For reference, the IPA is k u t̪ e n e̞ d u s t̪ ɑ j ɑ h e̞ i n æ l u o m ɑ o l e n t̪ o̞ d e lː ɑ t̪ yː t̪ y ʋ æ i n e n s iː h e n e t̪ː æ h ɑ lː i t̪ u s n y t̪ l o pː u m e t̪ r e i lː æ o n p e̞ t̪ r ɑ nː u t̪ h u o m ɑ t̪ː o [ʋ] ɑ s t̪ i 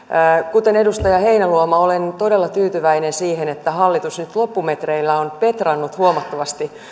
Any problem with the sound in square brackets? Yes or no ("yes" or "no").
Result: no